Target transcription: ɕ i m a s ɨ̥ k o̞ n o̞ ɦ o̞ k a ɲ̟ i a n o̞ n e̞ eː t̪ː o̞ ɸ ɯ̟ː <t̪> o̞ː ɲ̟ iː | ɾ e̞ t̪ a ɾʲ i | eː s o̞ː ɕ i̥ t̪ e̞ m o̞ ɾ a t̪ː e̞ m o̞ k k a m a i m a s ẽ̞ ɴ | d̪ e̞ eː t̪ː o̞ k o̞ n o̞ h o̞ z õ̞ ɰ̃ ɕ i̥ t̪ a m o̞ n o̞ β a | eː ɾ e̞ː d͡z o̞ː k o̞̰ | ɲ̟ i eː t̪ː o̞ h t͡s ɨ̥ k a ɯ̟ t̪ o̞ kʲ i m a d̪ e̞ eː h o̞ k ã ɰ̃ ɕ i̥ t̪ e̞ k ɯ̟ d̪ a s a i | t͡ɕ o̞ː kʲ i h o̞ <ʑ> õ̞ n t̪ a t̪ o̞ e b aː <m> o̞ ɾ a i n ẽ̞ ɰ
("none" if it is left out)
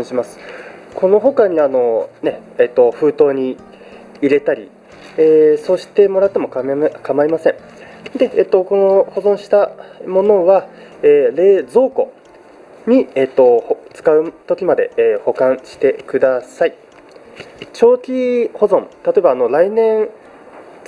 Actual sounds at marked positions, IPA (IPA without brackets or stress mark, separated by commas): t̪, z, n